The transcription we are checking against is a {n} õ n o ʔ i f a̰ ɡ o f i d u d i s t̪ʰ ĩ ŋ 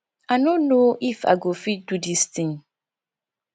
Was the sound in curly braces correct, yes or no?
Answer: yes